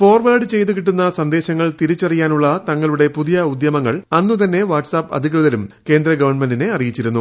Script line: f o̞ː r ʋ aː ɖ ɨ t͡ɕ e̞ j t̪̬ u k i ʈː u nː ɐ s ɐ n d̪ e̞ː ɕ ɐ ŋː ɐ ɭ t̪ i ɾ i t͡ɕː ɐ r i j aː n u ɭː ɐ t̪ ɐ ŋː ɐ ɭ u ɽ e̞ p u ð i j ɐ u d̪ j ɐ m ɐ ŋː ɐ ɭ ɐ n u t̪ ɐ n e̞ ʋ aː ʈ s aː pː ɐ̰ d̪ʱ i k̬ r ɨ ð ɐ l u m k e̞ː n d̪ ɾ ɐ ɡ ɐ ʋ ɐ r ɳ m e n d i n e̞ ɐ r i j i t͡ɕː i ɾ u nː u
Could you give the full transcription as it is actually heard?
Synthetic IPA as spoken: f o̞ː r ʋ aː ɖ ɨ t͡ɕ e̞ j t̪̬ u k i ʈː u nː ɐ s ɐ n d̪ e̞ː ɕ ɐ ŋː ɐ ɭ t̪ i ɾ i t͡ɕː ɐ r i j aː n u ɭː ɐ t̪ ɐ ŋː ɐ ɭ u ɽ e̞ p u ð i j ɐ u d̪ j ɐ m ɐ ŋː ɐ ɭ ɐ nː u t̪ ɐ nː e̞ ʋ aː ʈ s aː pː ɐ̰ d̪ʱ i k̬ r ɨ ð ɐ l u m k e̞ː n d̪ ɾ ɐ ɡ ɐ ʋ ɐ r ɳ m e n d i n e̞ ɐ r i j i t͡ɕː i ɾ u nː u